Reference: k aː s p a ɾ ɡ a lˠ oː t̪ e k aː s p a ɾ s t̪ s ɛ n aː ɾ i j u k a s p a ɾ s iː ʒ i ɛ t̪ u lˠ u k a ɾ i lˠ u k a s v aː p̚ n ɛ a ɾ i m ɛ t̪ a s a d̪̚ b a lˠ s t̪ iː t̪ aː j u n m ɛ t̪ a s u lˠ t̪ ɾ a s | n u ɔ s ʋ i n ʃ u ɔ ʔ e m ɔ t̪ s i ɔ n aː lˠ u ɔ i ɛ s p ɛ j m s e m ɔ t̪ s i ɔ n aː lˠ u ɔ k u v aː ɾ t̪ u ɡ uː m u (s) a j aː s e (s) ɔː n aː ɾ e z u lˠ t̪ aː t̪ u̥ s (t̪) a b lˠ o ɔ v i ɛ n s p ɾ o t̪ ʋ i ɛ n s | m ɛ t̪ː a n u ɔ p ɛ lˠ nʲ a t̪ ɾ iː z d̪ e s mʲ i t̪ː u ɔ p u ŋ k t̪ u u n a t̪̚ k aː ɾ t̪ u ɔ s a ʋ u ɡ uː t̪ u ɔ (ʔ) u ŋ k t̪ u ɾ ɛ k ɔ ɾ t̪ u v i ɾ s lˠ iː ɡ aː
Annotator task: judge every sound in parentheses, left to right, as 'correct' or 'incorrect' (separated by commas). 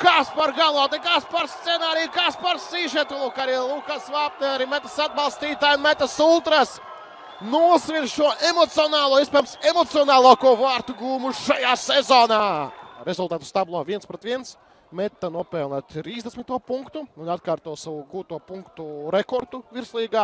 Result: incorrect, incorrect, correct, incorrect